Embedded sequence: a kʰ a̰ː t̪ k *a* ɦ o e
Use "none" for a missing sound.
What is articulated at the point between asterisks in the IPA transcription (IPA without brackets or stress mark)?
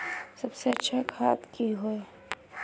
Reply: i